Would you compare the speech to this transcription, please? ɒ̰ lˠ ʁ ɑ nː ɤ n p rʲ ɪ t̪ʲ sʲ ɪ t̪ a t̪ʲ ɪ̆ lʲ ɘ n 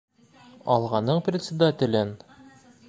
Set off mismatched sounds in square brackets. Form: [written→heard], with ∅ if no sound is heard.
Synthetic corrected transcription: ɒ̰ lˠ ʁ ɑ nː ɤ [n→ɴ] p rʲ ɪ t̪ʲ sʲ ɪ [t̪→d̪] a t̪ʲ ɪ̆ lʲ ɘ n

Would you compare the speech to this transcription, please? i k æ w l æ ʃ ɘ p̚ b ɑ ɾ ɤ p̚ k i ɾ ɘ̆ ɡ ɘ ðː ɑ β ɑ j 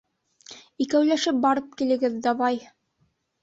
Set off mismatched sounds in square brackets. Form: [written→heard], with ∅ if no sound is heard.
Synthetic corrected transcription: i k æ w l æ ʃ ɘ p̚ b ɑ ɾ ɤ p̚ k i [ɾ→l] ɘ̆ ɡ ɘ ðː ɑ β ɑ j

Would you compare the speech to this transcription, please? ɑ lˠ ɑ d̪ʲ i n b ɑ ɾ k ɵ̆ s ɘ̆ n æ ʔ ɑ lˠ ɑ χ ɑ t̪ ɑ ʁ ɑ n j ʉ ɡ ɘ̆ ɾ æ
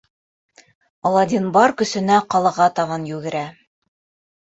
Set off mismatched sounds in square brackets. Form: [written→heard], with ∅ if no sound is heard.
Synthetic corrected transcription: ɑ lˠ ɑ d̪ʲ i n b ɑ ɾ k ɵ̆ s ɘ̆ n æ [ʔ→q] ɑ lˠ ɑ [χ→ʁ] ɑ t̪ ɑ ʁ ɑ n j ʉ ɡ ɘ̆ ɾ æ

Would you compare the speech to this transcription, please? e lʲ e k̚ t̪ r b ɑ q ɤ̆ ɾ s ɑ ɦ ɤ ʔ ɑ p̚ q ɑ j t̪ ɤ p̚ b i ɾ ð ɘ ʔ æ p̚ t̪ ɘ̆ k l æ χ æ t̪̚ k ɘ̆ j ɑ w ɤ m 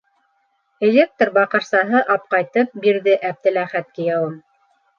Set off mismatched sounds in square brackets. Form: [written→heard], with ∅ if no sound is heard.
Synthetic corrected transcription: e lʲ e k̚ t̪ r b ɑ q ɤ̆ ɾ s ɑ ɦ ɤ ʔ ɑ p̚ q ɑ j t̪ ɤ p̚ b i ɾ ð ɘ ʔ æ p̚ t̪ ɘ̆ [k→∅] l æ χ æ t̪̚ k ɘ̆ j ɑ w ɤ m

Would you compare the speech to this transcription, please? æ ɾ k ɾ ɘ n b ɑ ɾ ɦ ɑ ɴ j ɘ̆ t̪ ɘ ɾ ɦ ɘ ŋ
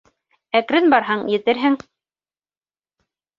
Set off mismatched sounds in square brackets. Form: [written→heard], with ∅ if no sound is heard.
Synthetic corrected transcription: æ [ɾ→∅] k ɾ ɘ n b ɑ ɾ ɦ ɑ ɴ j ɘ̆ t̪ ɘ ɾ ɦ ɘ ŋ

